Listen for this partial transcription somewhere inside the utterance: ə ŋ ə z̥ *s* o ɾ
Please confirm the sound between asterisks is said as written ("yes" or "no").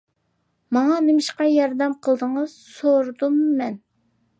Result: yes